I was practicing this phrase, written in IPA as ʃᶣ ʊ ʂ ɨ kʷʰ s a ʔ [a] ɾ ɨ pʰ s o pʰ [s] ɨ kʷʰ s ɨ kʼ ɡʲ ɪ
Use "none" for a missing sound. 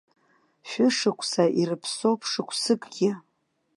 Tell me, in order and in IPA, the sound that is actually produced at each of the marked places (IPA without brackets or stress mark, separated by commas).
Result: i, ʂ